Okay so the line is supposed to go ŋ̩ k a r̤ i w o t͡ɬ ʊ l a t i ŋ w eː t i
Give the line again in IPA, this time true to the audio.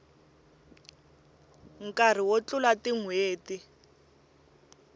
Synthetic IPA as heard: ŋ̩ k a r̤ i w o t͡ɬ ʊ l a t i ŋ w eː t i